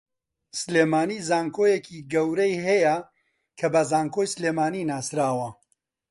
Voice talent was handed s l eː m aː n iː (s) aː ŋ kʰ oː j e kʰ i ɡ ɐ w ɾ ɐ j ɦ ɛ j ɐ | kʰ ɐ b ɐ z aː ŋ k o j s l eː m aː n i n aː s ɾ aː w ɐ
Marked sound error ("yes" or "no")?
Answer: yes